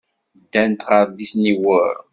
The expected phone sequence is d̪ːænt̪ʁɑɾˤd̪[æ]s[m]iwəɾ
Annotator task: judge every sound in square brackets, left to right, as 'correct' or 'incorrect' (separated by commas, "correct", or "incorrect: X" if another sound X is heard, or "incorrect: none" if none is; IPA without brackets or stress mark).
incorrect: i, incorrect: n